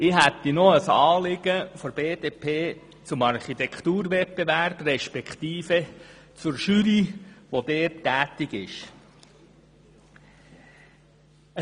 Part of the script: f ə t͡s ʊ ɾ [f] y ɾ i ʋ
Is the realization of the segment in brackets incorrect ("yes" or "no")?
yes